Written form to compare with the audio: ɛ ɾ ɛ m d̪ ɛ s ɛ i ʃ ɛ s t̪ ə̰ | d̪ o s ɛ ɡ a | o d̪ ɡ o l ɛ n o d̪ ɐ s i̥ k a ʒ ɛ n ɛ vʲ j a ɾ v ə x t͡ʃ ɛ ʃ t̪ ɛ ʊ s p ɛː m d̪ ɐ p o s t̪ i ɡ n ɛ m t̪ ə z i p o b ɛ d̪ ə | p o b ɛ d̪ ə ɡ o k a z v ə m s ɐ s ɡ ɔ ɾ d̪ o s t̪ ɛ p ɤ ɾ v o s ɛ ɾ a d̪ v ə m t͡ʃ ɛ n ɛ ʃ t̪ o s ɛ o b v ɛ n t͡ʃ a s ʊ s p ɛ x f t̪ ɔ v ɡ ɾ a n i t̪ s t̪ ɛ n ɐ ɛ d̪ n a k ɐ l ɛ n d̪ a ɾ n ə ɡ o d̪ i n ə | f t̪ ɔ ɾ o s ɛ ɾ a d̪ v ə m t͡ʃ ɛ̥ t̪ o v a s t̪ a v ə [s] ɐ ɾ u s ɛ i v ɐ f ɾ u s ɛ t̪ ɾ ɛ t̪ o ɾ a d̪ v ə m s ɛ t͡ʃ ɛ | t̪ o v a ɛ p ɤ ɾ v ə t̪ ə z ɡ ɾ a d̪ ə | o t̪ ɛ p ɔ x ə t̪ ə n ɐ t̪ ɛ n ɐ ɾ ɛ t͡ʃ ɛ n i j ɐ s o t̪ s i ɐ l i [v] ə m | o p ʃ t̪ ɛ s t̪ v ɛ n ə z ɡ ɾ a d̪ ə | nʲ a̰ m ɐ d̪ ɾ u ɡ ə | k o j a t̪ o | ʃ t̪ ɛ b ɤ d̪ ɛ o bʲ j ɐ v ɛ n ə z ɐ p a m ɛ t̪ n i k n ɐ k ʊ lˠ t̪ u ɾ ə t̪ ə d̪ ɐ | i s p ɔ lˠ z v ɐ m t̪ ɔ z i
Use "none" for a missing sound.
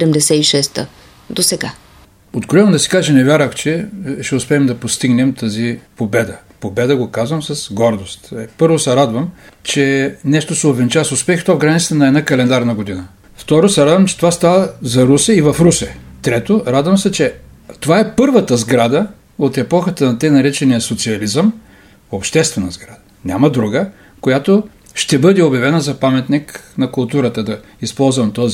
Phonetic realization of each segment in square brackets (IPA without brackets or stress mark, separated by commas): z, z